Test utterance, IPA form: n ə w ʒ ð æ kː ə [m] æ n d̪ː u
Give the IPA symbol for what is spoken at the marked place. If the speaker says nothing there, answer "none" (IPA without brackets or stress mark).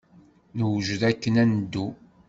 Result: n